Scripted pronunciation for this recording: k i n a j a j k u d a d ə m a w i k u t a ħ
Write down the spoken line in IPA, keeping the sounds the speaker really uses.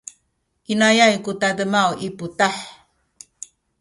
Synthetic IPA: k i n a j a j k u t a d ə m a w i p u t a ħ